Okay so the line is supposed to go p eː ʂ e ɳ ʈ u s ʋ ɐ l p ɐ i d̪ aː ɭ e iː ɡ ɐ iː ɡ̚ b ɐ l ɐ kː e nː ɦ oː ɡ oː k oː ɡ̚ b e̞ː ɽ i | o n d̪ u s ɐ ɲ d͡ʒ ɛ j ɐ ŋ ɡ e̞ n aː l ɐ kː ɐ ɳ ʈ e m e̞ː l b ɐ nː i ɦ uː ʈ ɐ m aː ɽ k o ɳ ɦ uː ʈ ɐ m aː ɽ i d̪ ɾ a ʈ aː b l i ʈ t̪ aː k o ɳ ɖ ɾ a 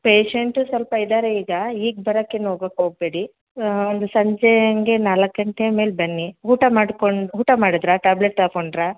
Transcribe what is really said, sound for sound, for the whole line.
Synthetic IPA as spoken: p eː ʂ e ɳ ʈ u s ʋ ɐ l p ɐ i d̪ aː ɾ e iː ɡ ɐ iː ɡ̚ b ɐ ɾ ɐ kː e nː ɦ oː ɡ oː k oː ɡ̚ b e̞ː ɽ i | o n d̪ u s ɐ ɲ d͡ʒ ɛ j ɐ ŋ ɡ e̞ n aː l ɐ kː ɐ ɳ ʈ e m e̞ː l b ɐ nː i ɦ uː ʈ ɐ m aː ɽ k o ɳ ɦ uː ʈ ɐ m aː ɽ i d̪ ɾ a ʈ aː b l e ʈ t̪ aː k o ɳ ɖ ɾ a